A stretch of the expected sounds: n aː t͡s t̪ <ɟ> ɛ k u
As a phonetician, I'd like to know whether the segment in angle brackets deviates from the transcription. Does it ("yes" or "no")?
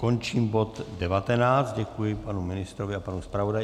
no